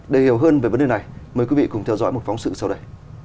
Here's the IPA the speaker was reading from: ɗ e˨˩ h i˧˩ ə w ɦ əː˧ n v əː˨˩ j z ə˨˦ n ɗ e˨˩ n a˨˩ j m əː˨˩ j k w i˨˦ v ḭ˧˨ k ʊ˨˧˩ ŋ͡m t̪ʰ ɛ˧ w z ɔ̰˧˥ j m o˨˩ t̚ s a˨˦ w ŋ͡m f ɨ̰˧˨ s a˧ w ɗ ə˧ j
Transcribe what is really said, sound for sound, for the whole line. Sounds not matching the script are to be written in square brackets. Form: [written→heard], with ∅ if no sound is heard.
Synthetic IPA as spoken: ɗ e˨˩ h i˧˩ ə w ɦ əː˧ n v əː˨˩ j [z→v] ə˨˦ n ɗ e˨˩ n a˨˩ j m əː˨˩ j k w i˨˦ v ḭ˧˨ k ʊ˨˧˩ ŋ͡m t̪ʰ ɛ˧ w z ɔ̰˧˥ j m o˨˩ t̚ [s→f] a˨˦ w ŋ͡m [f→s] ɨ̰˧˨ s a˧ w ɗ ə˧ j